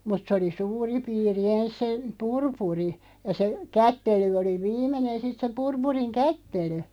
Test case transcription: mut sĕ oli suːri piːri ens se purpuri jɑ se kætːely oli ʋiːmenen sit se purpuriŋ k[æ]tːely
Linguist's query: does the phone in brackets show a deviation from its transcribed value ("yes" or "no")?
no